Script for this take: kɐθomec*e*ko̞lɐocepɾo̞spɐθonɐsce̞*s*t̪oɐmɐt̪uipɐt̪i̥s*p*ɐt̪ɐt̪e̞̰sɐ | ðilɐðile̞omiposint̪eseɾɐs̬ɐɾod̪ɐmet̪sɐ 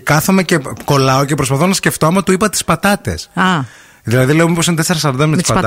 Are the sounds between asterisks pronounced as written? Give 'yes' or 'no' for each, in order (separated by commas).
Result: yes, no, yes